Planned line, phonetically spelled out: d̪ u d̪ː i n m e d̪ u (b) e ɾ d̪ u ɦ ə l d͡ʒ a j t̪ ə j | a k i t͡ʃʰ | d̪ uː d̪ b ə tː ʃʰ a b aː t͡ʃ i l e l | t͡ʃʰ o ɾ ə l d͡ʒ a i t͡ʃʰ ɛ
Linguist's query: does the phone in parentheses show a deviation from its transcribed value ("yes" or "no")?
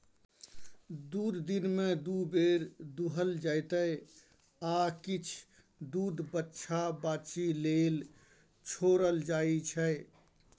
no